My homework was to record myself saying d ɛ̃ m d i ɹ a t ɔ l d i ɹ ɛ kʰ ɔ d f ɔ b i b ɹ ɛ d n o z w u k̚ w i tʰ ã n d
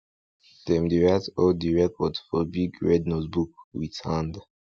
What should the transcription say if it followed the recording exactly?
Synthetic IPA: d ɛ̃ m d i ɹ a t ɔ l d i ɹ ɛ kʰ ɔ d f ɔ b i ɡ ɹ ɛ d n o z b u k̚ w i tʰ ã n d